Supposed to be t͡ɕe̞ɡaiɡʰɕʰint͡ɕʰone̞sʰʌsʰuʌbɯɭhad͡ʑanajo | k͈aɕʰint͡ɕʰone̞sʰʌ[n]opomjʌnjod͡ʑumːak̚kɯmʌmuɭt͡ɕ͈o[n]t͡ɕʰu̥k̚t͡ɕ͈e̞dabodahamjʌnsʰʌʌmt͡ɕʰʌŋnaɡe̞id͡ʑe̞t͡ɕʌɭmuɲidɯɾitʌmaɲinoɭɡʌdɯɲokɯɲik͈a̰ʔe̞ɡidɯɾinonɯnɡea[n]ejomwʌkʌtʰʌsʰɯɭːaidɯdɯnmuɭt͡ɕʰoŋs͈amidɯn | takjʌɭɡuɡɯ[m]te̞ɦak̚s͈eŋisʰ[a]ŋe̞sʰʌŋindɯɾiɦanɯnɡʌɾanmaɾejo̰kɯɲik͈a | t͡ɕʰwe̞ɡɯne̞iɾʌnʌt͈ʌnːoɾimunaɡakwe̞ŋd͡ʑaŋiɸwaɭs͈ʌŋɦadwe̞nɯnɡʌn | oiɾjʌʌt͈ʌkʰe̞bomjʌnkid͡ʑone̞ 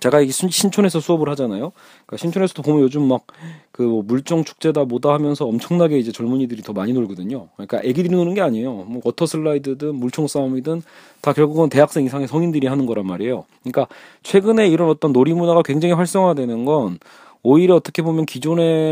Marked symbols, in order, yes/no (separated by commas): no, no, no, no, yes